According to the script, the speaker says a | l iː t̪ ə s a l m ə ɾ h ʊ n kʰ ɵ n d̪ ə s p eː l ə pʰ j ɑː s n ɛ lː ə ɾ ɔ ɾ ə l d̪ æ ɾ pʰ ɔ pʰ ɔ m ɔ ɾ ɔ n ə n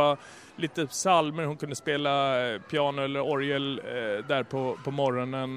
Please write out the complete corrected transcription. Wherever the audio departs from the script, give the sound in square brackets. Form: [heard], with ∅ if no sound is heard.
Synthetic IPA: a | l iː t̪ ə s a l m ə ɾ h ʊ n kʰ ɵ n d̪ ə s p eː l [a] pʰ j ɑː [∅] n ɛ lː ə ɾ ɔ ɾ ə l d̪ æ ɾ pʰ ɔ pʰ ɔ m ɔ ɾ ɔ n ə n